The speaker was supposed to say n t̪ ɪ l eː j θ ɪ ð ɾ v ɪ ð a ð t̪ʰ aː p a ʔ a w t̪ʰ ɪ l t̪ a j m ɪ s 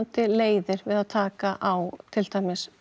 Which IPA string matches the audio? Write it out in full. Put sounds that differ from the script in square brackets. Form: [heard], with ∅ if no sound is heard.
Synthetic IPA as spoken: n t̪ ɪ l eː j [ð] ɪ [∅] ɾ v ɪ ð a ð t̪ʰ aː [k] a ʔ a w t̪ʰ ɪ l t̪ a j m ɪ s